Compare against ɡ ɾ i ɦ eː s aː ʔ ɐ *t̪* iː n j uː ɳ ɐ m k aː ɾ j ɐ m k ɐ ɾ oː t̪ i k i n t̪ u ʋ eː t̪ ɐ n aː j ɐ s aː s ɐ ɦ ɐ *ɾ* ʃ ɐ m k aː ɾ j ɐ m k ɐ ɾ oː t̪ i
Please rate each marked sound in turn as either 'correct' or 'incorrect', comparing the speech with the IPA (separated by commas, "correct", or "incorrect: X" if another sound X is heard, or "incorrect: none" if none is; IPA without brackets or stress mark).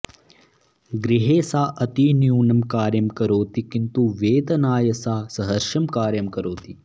correct, correct